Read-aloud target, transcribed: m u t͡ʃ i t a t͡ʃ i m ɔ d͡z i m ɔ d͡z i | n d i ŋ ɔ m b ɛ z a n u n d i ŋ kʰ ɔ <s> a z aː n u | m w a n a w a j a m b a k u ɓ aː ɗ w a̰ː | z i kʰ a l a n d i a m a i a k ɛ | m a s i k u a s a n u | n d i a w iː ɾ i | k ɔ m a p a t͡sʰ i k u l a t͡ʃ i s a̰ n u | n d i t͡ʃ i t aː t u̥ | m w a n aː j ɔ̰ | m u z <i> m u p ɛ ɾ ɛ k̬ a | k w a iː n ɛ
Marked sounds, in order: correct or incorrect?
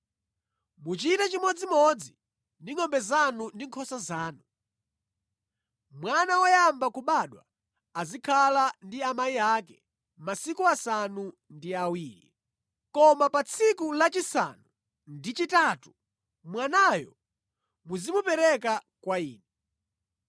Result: correct, correct

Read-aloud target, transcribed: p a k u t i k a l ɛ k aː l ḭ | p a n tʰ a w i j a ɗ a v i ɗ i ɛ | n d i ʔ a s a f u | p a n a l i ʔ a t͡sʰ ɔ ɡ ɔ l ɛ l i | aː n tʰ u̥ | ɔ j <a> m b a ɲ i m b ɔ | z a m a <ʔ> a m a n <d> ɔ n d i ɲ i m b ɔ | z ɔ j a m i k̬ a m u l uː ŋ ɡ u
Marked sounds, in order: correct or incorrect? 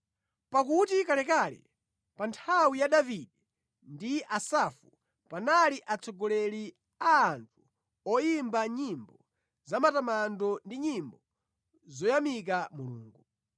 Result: incorrect, incorrect, correct

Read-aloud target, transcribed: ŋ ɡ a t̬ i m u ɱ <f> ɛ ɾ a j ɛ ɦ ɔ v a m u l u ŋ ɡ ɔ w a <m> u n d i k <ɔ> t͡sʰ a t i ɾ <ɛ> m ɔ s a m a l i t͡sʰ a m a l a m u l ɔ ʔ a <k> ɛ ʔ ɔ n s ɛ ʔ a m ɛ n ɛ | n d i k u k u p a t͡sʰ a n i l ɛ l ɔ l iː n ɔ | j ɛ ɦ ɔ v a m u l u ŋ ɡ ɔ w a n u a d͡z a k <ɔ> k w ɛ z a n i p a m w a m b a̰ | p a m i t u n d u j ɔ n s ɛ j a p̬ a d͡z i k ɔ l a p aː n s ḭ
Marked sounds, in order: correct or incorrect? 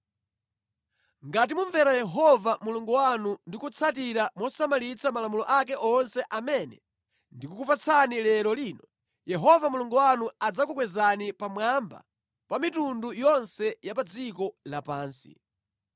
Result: incorrect, incorrect, incorrect, incorrect, correct, incorrect

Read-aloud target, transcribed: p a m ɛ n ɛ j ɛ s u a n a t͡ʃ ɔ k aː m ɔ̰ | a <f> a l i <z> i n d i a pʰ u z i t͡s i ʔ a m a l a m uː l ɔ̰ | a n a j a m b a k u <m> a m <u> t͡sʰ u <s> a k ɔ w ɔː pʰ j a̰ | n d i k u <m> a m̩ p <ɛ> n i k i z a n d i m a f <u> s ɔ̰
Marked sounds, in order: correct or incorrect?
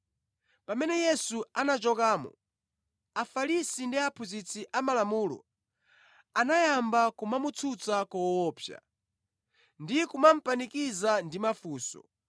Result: correct, incorrect, correct, correct, incorrect, correct, incorrect, incorrect

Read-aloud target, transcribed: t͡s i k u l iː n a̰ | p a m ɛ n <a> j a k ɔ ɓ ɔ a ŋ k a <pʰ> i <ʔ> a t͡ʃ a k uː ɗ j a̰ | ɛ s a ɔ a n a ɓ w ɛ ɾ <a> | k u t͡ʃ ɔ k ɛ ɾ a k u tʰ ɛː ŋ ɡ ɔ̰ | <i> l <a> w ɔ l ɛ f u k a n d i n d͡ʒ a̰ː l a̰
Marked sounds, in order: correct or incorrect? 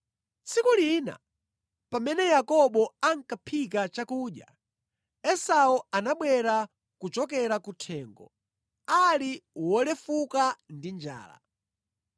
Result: incorrect, correct, incorrect, correct, incorrect, incorrect

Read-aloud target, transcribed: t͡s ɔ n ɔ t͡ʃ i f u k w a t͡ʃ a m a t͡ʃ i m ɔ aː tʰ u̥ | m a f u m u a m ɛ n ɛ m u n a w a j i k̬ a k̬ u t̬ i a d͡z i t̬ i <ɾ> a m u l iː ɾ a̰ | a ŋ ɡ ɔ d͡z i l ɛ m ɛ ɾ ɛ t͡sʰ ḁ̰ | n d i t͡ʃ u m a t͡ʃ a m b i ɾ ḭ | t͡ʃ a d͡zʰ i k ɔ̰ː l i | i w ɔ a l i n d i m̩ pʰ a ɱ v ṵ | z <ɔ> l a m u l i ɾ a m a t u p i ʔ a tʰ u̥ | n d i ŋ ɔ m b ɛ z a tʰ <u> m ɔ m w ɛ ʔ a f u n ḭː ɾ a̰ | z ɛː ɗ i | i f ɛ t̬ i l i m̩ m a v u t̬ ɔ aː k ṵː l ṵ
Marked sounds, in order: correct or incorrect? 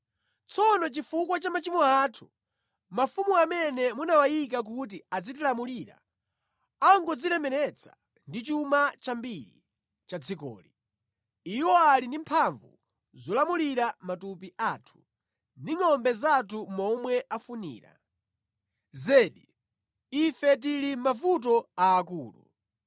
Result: incorrect, correct, correct

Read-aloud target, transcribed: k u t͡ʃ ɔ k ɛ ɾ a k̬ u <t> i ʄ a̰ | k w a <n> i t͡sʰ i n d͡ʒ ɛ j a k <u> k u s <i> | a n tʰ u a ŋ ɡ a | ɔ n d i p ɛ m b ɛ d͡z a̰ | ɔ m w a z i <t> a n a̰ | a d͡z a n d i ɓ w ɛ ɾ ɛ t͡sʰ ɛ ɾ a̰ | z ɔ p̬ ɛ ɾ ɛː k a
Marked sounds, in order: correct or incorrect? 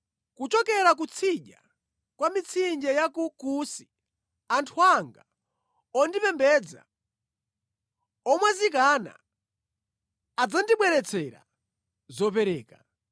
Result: incorrect, incorrect, correct, correct, incorrect

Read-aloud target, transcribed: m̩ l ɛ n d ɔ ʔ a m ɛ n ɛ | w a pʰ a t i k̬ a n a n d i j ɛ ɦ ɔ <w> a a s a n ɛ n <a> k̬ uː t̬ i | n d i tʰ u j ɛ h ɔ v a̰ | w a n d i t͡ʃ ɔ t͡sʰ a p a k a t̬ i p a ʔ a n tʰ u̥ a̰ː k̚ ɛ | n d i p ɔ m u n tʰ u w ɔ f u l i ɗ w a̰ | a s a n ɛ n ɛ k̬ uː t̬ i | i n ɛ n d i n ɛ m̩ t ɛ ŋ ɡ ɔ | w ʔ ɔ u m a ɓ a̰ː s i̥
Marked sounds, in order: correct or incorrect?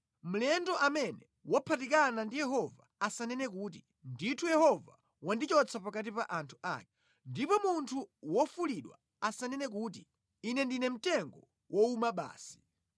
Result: incorrect, incorrect

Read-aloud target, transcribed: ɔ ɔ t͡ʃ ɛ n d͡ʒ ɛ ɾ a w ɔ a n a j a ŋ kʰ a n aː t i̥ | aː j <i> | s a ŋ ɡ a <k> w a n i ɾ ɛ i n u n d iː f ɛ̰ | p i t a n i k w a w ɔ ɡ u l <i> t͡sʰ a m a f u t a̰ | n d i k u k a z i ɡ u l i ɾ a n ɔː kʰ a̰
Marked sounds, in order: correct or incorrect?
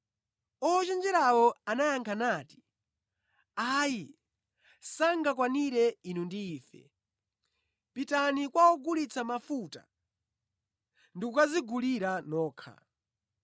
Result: correct, correct, correct

